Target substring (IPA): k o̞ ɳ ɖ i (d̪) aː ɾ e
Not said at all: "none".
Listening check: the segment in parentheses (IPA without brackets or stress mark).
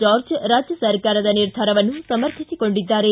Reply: d̪ː